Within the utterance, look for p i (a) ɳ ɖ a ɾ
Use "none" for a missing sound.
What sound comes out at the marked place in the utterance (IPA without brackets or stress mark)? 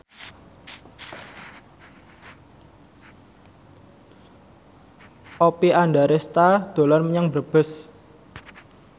a